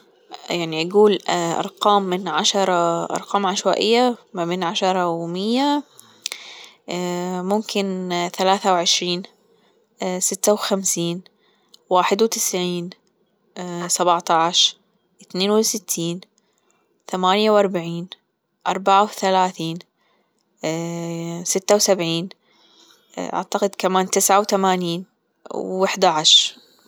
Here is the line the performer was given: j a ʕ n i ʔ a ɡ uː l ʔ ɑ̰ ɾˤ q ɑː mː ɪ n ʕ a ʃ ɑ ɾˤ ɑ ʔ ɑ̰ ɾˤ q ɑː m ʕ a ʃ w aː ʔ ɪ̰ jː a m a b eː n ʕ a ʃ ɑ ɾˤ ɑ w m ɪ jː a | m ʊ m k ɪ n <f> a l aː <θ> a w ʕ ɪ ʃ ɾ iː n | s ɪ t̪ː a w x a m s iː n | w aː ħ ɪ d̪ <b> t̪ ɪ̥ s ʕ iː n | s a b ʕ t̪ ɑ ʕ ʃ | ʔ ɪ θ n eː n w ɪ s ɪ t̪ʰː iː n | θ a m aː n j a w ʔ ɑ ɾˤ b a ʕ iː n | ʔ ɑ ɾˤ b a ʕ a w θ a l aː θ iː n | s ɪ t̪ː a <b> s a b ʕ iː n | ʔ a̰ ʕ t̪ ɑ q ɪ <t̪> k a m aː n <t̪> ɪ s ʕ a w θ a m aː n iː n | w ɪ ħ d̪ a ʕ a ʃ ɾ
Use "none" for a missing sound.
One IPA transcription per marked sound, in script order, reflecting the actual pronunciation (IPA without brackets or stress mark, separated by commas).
θ, θ, w, w, d̪, t̪